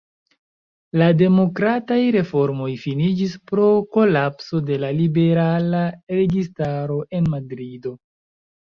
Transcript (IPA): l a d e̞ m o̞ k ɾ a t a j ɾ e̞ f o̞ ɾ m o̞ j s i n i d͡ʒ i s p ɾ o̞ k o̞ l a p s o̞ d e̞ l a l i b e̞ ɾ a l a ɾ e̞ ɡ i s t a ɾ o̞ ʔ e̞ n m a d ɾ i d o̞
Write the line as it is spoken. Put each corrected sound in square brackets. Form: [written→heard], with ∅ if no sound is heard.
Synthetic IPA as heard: l a d e̞ m o̞ k ɾ a t a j ɾ e̞ f o̞ ɾ m o̞ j [s→f] i n i d͡ʒ i s p ɾ o̞ k o̞ l a p s o̞ d e̞ l a l i b e̞ ɾ a l a ɾ e̞ ɡ i s t a ɾ o̞ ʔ e̞ n m a d ɾ i d o̞